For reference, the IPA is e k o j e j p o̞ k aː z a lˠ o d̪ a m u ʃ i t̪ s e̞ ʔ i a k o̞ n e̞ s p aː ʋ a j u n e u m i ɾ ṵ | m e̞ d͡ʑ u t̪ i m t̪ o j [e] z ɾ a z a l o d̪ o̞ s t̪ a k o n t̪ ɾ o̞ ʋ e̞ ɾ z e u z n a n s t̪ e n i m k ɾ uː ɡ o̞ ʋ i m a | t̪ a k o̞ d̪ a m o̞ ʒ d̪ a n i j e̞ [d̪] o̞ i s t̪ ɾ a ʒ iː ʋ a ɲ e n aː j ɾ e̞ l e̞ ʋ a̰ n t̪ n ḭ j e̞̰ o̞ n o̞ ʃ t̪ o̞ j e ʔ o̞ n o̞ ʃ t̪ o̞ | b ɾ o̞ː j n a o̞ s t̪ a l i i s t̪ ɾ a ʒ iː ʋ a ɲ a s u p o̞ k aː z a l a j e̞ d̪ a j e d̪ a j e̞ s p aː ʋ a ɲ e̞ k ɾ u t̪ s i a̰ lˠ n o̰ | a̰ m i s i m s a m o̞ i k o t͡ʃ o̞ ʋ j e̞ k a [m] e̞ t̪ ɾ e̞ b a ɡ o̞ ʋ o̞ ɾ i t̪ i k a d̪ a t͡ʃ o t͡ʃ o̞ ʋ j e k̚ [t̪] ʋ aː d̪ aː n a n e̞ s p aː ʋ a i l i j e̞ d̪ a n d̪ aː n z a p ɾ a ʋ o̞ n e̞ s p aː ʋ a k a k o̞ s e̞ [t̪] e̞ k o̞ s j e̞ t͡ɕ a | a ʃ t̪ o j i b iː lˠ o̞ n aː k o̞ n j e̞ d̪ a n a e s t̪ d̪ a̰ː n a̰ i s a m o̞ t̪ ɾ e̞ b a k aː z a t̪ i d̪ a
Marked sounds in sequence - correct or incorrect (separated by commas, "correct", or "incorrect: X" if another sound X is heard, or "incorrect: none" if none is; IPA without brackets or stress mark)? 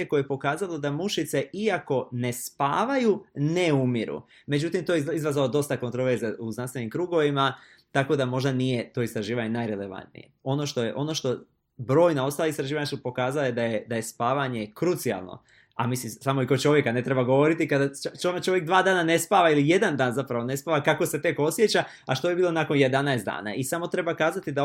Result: incorrect: i, incorrect: t̪, incorrect: n, incorrect: d̪, correct